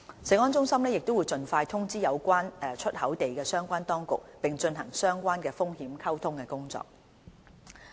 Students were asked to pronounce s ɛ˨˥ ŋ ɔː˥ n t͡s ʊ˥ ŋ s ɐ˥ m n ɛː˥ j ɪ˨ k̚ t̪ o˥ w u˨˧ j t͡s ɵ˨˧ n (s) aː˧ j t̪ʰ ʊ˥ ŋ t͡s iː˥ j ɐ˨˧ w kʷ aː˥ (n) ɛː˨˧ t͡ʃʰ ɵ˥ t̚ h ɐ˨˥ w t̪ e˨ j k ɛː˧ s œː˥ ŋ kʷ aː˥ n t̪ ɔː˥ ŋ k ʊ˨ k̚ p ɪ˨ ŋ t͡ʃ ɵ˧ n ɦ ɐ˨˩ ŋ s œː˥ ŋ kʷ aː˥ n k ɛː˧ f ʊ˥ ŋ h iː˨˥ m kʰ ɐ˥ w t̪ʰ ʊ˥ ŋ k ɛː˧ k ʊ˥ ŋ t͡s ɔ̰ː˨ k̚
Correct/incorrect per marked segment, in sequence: incorrect, correct

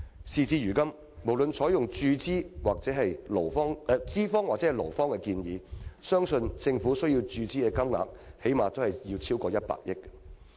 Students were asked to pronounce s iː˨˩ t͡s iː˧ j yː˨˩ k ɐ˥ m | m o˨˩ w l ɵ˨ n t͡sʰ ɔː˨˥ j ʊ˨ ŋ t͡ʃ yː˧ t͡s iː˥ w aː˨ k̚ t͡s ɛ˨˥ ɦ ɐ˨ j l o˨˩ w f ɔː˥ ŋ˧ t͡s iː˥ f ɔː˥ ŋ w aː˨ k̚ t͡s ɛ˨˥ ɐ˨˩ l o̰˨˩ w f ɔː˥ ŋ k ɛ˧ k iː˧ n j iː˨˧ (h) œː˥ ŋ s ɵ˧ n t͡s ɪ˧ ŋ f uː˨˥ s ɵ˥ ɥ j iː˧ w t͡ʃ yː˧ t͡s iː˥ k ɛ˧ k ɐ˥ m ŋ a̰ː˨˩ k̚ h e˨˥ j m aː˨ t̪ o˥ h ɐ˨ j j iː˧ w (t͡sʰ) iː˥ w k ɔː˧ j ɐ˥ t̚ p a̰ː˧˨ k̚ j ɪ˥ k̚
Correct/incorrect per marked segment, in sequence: incorrect, correct

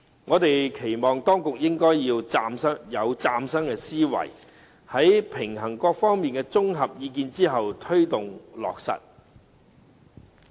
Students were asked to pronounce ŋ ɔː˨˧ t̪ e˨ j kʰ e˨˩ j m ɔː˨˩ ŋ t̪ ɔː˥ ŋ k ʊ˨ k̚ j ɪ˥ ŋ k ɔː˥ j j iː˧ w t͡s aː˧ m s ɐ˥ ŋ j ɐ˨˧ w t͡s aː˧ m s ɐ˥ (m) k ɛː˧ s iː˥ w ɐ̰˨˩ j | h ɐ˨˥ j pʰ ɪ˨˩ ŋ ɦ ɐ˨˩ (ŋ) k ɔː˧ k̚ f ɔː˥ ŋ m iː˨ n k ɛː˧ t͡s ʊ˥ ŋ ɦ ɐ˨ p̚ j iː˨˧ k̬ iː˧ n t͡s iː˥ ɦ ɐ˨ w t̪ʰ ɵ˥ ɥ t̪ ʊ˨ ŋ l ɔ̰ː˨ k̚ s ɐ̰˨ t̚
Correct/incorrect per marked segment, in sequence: incorrect, correct

